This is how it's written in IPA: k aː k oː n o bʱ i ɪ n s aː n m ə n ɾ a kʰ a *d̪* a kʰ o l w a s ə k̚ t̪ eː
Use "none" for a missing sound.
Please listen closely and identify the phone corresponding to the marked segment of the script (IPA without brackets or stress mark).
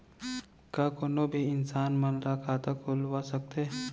t̪